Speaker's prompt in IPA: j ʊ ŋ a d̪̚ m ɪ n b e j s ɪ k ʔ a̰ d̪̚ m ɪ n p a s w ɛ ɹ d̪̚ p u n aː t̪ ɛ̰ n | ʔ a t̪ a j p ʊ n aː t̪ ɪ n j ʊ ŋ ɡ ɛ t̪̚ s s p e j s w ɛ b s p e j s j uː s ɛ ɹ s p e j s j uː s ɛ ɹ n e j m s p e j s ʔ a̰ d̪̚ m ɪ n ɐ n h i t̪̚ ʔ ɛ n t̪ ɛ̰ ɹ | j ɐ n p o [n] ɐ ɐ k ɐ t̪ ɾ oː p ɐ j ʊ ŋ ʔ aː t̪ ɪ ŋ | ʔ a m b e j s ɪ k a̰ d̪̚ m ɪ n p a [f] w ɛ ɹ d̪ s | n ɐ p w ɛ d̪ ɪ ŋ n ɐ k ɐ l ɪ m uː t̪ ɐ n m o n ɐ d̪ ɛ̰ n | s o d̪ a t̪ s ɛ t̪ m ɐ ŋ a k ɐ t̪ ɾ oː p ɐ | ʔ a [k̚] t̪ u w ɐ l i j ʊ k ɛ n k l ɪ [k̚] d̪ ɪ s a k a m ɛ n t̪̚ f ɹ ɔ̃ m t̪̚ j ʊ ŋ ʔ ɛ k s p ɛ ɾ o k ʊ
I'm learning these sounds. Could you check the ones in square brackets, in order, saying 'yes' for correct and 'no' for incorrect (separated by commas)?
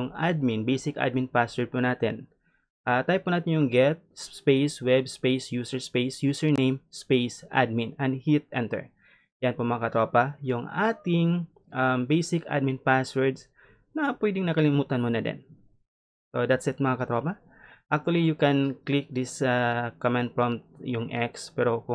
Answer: no, no, yes, yes